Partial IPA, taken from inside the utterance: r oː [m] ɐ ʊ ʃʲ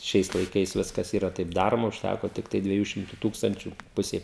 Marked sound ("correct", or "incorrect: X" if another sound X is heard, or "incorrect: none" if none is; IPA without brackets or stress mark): correct